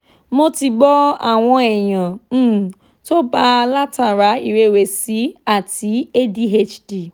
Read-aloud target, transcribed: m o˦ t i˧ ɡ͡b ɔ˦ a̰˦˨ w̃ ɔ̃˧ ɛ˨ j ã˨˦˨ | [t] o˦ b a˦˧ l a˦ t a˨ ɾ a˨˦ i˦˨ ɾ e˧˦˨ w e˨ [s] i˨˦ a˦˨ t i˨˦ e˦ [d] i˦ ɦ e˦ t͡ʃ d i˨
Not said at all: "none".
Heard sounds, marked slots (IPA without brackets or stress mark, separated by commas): t, s, d